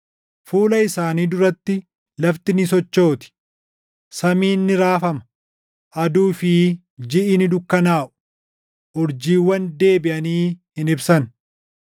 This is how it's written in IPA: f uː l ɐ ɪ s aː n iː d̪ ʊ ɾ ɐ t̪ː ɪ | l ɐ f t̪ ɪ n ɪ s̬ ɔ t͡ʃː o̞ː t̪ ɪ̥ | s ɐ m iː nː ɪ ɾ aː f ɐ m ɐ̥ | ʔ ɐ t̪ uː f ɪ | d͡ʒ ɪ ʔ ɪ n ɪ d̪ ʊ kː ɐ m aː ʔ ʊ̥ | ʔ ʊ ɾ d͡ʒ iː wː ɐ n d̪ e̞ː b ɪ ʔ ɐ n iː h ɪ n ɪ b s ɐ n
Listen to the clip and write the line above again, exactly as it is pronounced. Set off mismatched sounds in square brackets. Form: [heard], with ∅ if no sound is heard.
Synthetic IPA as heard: f uː l ɐ ɪ s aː n iː d̪ ʊ ɾ ɐ t̪ː ɪ | l ɐ f t̪ ɪ n ɪ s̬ ɔ t͡ʃː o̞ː t̪ ɪ̥ | s ɐ m iː nː ɪ ɾ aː f ɐ m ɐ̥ | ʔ ɐ [d̪] uː f ɪ | d͡ʒ ɪ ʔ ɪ n ɪ d̪ ʊ kː ɐ [n] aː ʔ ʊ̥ | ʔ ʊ ɾ d͡ʒ iː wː ɐ n d̪ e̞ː b ɪ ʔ ɐ n iː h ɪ n ɪ b s ɐ n